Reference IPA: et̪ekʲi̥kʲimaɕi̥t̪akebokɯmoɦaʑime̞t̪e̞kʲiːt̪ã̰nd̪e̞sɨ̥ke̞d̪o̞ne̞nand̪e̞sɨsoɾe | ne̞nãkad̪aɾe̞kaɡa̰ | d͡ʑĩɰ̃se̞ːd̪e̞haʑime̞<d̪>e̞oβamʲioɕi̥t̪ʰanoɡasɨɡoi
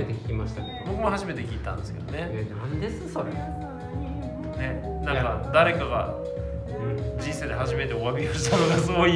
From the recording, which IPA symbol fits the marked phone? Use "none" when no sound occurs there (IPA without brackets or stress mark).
t̪